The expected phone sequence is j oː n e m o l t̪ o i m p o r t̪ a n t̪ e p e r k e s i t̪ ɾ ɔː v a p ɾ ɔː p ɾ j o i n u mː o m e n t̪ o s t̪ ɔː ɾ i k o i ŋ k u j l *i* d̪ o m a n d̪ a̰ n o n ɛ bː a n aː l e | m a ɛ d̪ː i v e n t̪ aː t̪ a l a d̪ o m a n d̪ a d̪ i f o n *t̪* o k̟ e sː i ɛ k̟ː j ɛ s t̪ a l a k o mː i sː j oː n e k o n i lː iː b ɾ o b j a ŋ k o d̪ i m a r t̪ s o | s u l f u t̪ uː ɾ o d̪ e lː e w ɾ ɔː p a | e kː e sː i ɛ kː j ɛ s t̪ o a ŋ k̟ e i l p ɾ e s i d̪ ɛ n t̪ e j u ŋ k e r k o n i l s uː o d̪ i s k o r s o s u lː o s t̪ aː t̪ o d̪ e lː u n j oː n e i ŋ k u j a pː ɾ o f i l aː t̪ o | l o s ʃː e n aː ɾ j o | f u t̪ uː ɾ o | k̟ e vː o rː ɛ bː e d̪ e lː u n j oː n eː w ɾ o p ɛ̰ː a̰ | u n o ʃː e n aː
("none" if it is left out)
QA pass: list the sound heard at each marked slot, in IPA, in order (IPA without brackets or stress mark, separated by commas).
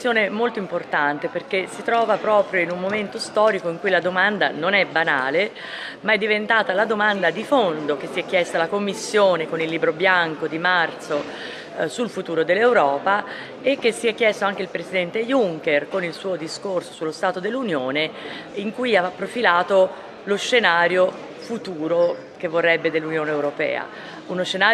a, d̪